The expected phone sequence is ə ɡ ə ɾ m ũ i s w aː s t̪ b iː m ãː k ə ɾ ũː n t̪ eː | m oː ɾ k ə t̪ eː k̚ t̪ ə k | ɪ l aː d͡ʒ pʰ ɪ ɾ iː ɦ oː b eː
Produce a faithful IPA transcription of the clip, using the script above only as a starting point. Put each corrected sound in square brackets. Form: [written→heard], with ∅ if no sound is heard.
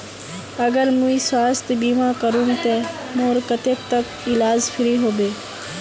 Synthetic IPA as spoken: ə ɡ ə ɾ m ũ i s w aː s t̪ b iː m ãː k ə ɾ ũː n t̪ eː | m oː ɾ k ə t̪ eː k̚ t̪ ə k | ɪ l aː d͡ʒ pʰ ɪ ɾ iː ɦ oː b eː